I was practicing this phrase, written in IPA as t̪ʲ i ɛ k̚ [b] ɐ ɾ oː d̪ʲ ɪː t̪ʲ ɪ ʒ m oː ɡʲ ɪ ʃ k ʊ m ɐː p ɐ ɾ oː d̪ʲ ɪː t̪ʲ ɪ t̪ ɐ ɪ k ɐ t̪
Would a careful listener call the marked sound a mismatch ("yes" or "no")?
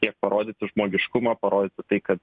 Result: yes